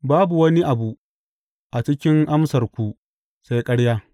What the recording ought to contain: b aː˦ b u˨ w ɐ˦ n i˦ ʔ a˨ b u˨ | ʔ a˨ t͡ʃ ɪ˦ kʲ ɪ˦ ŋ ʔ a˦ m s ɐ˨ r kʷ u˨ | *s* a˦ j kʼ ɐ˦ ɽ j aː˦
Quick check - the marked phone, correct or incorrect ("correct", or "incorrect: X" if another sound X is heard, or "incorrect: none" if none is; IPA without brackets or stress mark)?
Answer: correct